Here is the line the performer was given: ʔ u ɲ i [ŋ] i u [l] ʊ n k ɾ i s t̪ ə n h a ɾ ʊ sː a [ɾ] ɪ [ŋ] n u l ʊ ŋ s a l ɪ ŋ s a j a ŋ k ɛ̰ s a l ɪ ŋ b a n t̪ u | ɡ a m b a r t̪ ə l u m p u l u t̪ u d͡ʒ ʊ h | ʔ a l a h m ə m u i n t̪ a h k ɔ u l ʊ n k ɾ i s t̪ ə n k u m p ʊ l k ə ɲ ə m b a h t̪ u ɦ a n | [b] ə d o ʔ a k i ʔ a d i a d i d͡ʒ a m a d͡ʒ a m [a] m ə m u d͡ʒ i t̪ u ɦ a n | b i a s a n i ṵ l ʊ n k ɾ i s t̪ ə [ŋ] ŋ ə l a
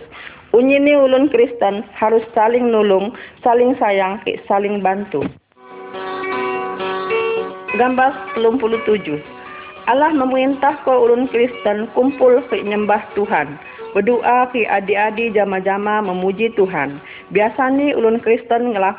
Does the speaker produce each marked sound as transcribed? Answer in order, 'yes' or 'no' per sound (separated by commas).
no, yes, no, yes, yes, yes, no